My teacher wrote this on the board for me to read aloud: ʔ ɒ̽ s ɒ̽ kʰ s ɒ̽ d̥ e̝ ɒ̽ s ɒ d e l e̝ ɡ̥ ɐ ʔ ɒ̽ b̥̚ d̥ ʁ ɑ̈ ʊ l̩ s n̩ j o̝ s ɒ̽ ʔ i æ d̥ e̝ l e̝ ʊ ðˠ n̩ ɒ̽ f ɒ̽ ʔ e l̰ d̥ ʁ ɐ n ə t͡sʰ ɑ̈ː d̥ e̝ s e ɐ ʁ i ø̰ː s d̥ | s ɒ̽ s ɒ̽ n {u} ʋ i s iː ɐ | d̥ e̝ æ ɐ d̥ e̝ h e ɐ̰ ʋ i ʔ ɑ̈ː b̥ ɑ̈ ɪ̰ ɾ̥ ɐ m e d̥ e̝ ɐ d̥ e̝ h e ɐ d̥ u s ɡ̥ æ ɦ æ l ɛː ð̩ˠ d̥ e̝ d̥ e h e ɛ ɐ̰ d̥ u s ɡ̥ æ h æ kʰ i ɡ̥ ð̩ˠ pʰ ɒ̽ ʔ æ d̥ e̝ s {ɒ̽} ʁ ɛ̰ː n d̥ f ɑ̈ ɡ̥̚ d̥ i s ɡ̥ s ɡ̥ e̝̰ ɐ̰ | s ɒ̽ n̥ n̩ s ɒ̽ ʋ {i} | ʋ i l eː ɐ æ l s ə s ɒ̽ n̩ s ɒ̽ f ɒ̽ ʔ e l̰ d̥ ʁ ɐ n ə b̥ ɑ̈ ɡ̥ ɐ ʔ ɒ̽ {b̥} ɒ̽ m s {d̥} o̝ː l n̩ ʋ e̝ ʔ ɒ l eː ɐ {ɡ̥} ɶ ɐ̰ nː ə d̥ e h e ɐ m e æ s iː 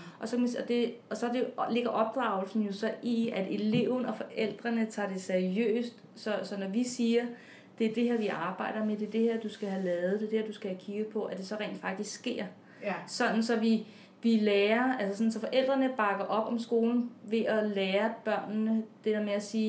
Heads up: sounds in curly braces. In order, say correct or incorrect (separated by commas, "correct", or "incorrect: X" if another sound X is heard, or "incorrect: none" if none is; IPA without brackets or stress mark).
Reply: incorrect: ɒ, correct, correct, correct, incorrect: ɡ̥, incorrect: b̥